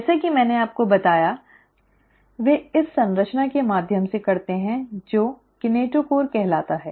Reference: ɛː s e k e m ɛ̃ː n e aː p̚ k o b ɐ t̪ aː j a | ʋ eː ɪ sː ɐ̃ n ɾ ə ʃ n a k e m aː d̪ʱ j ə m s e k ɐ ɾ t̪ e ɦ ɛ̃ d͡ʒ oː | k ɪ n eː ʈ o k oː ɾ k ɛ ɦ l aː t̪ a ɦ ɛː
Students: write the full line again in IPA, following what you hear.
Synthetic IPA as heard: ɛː s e k i m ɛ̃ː n e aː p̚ k o b ɐ t̪ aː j a | ʋ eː ɪ sː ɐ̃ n ɾ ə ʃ n a k e m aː d̪ʱ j ə m s e k ɐ ɾ t̪ e ɦ ɛ̃ d͡ʒ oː | k ɪ n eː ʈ o k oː ɾ k ɛ ɦ l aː t̪ a ɦ ɛː